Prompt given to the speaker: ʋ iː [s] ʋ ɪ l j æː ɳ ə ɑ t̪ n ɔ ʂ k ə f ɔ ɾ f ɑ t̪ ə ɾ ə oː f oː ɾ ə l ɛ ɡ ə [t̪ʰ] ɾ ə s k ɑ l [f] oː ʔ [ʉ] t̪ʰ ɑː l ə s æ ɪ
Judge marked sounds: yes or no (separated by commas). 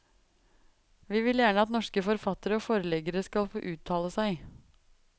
no, no, yes, no